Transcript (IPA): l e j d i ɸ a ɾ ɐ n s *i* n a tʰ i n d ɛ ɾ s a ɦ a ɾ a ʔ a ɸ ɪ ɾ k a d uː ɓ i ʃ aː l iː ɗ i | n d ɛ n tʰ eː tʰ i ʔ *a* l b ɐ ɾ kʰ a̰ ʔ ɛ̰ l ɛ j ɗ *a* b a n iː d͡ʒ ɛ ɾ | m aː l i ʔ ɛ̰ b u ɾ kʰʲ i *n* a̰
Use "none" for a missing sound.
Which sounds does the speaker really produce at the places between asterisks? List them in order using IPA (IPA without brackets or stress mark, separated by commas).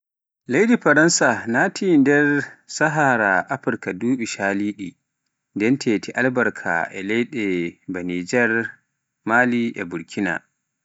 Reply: a, a, ɛ, n